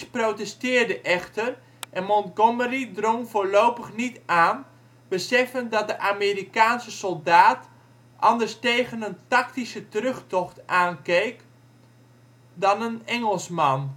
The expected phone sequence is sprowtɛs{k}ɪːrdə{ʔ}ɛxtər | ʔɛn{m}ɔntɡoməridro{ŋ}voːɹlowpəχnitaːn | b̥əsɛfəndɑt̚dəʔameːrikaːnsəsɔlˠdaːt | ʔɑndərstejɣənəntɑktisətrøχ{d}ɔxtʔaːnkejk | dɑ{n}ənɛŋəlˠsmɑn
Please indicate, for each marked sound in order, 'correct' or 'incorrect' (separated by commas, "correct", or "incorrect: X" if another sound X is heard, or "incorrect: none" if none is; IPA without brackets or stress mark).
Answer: incorrect: t, correct, correct, correct, incorrect: t, correct